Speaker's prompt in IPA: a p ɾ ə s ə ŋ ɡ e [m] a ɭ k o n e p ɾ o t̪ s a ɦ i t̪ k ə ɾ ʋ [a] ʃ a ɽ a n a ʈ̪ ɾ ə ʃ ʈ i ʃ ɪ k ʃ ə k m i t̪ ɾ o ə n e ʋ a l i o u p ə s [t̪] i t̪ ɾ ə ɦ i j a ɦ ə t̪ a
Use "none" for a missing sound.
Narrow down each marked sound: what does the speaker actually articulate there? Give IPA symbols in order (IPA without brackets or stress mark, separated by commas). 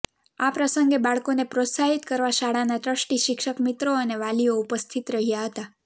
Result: b, a, t̪ʰ